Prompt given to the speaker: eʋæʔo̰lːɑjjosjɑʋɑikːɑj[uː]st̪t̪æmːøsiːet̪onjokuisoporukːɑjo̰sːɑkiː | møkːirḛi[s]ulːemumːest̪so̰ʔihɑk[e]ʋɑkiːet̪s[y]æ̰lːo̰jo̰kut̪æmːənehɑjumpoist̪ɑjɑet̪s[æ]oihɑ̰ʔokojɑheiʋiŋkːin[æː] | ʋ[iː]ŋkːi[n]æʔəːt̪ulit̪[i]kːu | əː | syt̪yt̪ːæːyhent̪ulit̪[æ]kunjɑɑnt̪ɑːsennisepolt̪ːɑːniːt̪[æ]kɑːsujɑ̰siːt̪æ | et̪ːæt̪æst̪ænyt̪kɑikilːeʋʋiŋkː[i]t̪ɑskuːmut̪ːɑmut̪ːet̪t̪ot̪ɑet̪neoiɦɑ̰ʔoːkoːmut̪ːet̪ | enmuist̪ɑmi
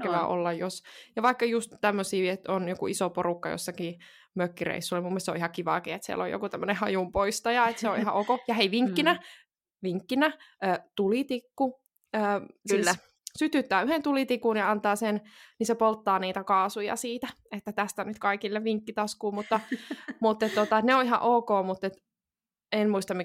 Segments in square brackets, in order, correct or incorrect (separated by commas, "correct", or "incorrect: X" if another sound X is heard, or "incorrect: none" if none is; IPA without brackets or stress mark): incorrect: u, incorrect: sː, incorrect: i, incorrect: i, incorrect: e, incorrect: æ, incorrect: i, correct, correct, incorrect: i, correct, correct